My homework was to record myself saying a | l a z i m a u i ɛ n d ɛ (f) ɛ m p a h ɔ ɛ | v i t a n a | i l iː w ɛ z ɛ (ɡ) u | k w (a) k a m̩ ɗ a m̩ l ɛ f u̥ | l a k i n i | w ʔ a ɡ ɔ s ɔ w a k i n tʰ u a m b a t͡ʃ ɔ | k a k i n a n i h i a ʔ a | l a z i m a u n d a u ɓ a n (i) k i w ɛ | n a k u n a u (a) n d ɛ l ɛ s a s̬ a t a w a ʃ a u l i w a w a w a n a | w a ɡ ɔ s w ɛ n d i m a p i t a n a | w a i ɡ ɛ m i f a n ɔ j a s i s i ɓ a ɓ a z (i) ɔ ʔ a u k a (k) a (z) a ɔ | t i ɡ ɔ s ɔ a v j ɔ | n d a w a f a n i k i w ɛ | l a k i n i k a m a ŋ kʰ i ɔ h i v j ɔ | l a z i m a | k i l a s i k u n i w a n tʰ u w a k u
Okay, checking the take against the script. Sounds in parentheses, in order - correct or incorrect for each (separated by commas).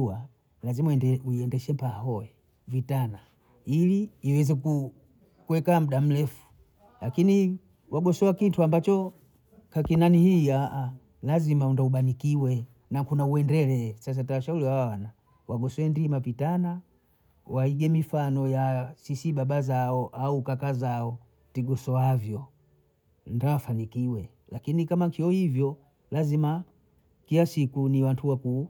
incorrect, incorrect, incorrect, correct, incorrect, incorrect, correct, correct